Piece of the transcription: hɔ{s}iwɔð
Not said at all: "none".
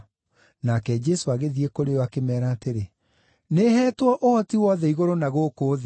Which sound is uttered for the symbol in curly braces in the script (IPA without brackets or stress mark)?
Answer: t